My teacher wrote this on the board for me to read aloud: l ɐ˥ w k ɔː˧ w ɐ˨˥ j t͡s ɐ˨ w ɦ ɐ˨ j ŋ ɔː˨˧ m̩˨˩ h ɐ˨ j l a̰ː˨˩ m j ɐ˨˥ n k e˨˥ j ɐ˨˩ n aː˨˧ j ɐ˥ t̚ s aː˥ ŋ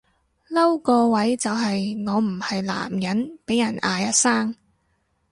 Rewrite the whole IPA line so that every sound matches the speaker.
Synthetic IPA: l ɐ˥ w k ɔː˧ w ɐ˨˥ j t͡s ɐ˨ w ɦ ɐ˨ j ŋ ɔː˨˧ m̩˨˩ h ɐ˨ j l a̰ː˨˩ m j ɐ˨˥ n p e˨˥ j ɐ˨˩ n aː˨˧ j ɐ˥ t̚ s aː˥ ŋ